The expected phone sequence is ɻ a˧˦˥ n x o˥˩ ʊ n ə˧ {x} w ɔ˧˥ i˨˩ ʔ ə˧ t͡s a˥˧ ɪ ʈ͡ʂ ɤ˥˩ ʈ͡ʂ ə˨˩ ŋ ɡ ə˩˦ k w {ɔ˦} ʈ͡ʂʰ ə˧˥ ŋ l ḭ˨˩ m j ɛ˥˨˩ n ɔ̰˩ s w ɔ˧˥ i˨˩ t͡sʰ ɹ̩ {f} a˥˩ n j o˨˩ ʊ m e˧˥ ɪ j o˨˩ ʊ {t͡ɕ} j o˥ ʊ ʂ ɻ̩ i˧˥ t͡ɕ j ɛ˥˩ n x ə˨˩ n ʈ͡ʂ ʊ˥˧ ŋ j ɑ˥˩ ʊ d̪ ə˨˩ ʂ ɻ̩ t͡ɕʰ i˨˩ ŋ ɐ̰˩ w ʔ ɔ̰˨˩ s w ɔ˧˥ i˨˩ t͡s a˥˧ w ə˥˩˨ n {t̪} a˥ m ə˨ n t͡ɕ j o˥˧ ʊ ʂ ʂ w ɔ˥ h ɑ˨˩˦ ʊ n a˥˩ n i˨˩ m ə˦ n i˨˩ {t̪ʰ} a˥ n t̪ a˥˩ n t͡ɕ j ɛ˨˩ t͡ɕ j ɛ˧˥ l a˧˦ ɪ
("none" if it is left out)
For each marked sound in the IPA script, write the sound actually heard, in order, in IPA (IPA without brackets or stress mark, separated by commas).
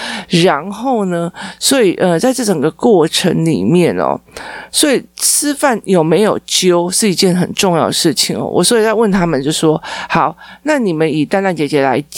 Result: s, ɔ˥˩, f, t͡ɕ, t̪ʰ, t̪